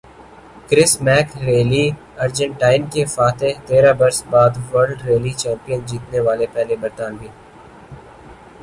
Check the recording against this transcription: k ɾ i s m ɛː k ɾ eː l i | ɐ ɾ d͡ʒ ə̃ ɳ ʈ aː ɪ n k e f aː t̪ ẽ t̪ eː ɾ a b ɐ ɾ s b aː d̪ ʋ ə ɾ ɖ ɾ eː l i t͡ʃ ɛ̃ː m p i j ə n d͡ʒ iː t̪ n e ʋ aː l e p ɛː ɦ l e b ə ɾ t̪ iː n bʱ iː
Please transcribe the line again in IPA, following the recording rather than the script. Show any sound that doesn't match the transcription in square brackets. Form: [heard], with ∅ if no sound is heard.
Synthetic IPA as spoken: k ɾ [ɪ] s m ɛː k ɾ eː l i | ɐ ɾ d͡ʒ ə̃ ɳ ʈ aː ɪ n k e f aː t̪ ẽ t̪ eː ɾ a b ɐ ɾ s b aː d̪ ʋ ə ɾ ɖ ɾ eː l i t͡ʃ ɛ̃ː m p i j ə n d͡ʒ iː t̪ n e ʋ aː l e p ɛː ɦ l e b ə ɾ t̪ [aː] n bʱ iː